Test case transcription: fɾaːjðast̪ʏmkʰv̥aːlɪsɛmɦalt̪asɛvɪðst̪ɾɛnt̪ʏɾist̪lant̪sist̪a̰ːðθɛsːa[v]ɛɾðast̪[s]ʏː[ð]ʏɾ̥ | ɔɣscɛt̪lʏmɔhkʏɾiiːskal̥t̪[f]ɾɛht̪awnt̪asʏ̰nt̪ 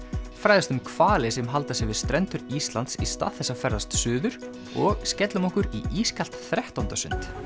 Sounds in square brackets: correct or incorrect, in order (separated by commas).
incorrect, correct, correct, incorrect